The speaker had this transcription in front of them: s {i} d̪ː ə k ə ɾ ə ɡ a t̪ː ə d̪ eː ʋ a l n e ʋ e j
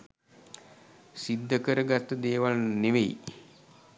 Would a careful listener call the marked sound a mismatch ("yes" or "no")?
no